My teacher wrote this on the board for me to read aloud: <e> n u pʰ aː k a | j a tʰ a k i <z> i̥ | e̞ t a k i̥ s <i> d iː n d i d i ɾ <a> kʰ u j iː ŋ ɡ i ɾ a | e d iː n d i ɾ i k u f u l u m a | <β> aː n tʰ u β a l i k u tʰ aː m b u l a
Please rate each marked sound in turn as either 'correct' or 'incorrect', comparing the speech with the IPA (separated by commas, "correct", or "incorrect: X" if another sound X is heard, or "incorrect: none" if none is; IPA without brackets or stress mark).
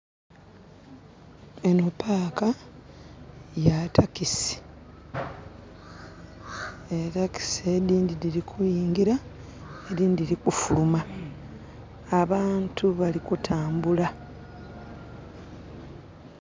correct, incorrect: s, incorrect: e, incorrect: i, correct